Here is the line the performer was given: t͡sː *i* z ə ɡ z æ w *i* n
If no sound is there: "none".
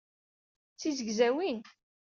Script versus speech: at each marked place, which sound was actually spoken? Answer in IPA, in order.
i, i

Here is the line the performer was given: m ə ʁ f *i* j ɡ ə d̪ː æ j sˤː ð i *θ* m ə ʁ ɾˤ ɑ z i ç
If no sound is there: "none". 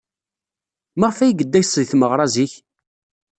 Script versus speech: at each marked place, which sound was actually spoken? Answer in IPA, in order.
æ, θ

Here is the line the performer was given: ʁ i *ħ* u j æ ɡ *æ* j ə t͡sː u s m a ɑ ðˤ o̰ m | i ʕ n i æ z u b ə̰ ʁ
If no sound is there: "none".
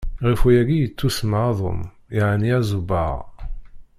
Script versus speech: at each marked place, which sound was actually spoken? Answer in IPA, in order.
f, i

